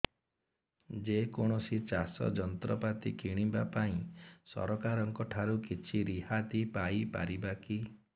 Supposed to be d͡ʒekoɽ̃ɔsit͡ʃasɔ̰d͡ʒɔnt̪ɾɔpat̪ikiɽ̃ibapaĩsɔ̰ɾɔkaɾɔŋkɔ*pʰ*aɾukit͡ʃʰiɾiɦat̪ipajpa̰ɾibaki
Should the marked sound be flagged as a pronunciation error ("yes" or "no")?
yes